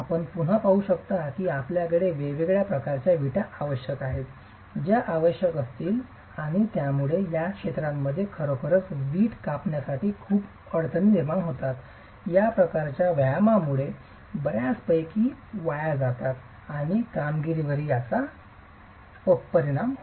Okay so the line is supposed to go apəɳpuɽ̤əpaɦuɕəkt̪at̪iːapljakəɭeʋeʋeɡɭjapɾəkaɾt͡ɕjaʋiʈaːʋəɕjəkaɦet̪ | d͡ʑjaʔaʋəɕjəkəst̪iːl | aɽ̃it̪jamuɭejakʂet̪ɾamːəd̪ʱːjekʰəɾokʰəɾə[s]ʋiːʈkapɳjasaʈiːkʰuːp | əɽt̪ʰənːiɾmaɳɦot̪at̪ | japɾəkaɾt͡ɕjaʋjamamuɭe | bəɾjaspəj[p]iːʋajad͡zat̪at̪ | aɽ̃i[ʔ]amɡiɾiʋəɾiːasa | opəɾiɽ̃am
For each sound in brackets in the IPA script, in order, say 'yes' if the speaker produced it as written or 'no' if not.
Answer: no, no, no

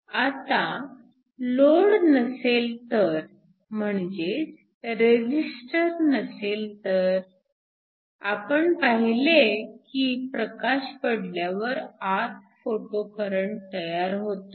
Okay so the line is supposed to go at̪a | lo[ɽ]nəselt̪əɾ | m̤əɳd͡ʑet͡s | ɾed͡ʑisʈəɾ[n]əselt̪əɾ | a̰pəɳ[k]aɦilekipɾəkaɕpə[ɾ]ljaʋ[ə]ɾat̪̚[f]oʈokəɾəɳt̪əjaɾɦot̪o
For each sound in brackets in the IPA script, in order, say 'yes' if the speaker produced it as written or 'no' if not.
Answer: yes, yes, no, no, yes, yes

